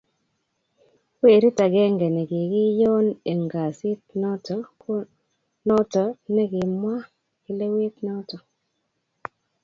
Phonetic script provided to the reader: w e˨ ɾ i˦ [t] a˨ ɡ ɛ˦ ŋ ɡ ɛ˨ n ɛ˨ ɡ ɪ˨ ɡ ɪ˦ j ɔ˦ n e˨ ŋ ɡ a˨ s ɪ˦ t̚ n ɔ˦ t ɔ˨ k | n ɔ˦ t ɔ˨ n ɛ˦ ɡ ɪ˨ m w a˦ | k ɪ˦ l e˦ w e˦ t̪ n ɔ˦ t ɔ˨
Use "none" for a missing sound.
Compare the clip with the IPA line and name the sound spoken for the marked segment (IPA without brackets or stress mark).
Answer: t